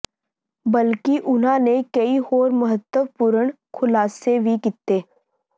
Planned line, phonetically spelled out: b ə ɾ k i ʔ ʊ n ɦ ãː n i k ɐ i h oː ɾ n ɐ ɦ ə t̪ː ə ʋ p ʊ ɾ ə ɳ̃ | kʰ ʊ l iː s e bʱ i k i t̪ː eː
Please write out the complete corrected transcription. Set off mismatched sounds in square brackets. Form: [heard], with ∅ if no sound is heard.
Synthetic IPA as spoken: b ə [l] k i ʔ ʊ n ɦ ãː n [e] k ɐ i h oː ɾ [m] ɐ ɦ ə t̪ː ə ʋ p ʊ ɾ ə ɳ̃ | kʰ ʊ l [aː] s e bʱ i k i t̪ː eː